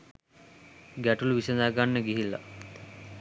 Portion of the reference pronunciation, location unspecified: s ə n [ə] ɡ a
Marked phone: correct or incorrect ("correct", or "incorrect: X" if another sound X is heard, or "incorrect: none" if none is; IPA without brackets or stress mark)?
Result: incorrect: a